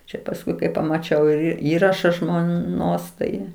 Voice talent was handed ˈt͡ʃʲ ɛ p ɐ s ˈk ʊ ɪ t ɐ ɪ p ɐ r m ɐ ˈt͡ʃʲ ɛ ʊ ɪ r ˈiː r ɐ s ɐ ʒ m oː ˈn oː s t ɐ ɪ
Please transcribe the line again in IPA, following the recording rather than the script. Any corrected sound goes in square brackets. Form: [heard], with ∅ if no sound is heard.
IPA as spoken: ˈt͡ʃʲ ɛ p ɐ s ˈk ʊ ɪ [k] ɐ ɪ p ɐ [∅] m ɐ ˈt͡ʃʲ ɛ ʊ ɪ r ˈiː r ɐ [ʃ] ɐ ʒ m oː ˈn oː s t ɐ ɪ